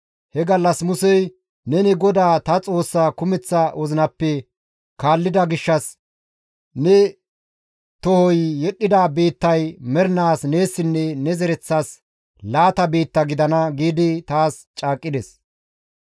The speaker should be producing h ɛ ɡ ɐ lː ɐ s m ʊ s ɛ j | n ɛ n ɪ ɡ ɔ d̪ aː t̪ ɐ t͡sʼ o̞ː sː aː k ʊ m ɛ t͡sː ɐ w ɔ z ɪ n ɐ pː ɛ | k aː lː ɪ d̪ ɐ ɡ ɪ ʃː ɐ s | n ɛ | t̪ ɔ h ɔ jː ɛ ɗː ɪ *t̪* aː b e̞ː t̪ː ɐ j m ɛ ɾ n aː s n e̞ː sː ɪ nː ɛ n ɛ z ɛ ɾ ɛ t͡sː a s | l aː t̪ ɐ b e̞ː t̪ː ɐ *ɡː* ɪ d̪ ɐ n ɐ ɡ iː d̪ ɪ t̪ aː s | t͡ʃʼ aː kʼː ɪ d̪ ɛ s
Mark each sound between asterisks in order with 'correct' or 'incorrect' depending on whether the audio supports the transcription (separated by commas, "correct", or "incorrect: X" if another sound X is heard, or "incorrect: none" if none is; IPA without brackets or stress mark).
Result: incorrect: d̪, incorrect: ɡ